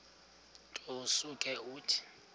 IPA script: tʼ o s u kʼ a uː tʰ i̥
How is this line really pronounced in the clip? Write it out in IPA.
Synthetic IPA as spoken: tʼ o s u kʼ ɛ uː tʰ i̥